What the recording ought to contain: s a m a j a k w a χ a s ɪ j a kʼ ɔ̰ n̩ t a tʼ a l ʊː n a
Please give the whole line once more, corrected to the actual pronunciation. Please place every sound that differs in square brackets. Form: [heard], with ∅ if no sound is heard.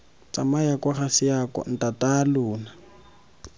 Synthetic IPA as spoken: [t͡s] a m a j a k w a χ a s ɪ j a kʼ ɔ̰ n̩ t a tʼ a l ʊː n a